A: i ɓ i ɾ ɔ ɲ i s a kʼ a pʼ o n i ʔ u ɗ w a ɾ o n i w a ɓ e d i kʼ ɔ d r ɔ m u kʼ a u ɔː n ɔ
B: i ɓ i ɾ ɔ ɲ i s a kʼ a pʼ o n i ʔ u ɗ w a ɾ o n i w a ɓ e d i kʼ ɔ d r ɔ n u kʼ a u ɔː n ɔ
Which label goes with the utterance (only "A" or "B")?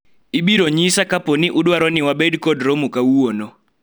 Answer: A